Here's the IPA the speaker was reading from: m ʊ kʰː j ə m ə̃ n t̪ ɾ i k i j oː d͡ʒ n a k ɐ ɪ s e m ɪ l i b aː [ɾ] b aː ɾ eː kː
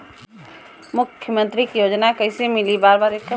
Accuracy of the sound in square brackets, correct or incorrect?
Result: correct